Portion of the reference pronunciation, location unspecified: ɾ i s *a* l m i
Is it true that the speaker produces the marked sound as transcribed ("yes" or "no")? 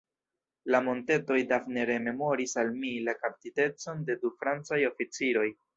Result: yes